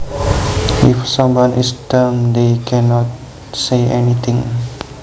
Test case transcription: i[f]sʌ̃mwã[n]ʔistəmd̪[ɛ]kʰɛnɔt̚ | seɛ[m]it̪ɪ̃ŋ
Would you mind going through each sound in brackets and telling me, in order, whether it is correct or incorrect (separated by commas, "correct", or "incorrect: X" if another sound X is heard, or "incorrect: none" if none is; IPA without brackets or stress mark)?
correct, correct, incorrect: e, incorrect: n